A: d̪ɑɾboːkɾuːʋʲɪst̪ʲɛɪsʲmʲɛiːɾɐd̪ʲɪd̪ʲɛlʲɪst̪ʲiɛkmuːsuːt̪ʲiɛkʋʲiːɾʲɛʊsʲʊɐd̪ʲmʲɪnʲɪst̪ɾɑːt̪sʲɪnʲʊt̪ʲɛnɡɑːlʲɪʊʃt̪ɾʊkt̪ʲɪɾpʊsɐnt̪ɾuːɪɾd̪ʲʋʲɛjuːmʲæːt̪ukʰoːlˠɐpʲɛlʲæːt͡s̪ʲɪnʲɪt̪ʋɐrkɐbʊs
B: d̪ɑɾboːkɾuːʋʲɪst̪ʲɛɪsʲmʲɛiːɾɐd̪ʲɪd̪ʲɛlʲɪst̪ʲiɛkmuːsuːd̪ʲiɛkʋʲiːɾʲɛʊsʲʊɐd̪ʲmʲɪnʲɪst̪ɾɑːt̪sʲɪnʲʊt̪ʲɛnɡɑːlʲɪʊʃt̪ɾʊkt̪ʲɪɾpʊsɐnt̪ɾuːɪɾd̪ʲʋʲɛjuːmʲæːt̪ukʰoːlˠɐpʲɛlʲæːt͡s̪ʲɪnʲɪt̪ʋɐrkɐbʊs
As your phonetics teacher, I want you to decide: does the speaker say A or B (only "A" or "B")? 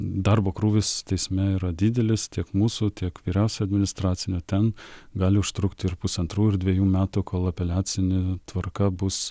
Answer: A